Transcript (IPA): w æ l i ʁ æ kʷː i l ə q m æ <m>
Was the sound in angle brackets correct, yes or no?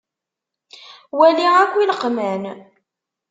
no